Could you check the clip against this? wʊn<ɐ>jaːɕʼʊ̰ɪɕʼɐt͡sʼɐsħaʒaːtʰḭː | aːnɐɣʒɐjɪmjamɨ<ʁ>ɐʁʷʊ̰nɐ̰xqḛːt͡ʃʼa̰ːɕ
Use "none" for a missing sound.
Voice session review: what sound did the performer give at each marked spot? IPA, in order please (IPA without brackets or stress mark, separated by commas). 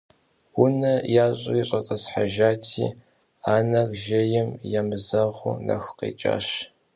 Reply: ɐ, z